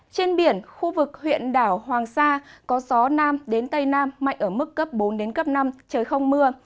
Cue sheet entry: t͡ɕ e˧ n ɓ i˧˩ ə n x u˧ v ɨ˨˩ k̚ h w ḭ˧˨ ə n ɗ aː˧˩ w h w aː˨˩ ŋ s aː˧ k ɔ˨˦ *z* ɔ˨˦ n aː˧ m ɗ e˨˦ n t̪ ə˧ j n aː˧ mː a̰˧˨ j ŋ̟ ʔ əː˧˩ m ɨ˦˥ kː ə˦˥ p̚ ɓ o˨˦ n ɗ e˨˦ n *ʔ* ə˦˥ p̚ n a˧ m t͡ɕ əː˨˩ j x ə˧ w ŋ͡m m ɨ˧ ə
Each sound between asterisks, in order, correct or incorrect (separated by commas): correct, incorrect